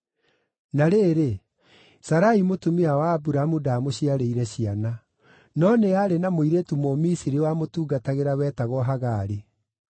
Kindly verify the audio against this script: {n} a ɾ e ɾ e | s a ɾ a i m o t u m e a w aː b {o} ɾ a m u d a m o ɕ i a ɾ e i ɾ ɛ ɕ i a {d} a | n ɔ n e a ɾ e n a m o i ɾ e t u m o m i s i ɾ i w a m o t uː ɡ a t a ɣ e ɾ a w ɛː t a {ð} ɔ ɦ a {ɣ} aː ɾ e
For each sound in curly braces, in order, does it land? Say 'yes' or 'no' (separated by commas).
yes, no, no, no, yes